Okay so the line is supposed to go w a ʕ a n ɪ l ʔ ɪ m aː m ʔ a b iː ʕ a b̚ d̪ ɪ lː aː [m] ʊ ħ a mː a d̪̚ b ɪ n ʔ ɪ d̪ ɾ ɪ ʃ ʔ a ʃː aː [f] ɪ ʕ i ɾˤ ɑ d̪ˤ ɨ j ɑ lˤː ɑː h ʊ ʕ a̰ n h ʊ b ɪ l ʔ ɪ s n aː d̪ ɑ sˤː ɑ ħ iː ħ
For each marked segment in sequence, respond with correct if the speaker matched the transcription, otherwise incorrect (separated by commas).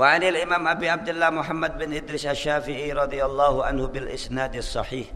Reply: correct, correct